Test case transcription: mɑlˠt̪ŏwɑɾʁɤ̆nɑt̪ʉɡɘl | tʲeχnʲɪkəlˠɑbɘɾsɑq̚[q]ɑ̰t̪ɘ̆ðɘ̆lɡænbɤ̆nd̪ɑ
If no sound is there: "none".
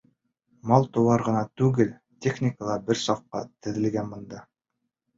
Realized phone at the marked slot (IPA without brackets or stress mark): q